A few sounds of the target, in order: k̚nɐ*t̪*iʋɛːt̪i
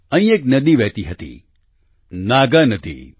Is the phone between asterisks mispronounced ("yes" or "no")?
yes